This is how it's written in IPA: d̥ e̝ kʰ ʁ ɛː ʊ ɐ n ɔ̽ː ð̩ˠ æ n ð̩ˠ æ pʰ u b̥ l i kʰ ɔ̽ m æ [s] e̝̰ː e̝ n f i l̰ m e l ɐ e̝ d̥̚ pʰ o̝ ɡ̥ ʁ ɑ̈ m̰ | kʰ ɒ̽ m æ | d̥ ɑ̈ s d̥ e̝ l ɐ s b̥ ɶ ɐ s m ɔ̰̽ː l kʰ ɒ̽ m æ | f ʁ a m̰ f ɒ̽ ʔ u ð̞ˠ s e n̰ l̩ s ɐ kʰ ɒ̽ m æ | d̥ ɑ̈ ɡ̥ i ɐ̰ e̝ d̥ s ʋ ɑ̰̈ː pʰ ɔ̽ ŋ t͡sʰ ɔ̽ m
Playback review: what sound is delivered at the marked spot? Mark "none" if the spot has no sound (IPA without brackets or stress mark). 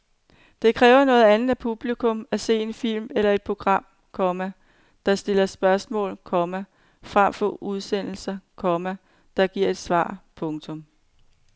s